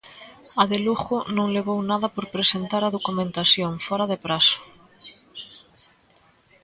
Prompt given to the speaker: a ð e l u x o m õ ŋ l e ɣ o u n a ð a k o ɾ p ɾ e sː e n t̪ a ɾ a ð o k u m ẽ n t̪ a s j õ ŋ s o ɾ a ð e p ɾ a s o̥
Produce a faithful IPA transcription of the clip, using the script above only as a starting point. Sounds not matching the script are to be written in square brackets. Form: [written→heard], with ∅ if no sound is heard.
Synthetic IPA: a ð e l u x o [m→n] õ ŋ l e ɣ o [u→w] n a ð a [k→p] o ɾ p ɾ e [sː→s] e n t̪ a ɾ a ð o k u m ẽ n t̪ a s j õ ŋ [s→f] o ɾ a ð e p ɾ a s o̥

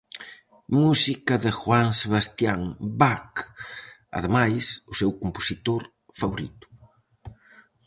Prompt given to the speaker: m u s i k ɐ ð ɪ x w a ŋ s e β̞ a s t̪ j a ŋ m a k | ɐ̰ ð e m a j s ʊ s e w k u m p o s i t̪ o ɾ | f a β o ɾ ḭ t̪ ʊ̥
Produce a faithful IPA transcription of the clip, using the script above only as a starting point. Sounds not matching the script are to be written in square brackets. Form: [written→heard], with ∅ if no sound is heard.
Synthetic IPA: m u s i k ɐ ð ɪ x w a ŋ s e β̞ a s t̪ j a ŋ [m→b] a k | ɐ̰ ð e m a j s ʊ s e w k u m p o s i t̪ o ɾ | f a β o ɾ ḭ t̪ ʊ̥

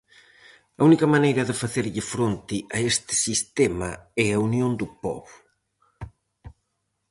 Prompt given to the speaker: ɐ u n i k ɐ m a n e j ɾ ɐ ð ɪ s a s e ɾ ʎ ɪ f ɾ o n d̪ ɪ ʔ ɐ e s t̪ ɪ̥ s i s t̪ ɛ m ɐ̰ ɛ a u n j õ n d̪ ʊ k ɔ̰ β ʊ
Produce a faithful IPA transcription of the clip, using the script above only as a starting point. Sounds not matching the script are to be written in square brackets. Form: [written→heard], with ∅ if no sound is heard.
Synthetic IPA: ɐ u n i k ɐ m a n e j ɾ ɐ ð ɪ [s→f] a [s→θ] e ɾ ʎ ɪ f ɾ o n [d̪→t̪] ɪ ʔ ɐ e s t̪ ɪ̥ s i s t̪ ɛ m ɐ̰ ɛ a u n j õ n d̪ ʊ [k→p] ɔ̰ β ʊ

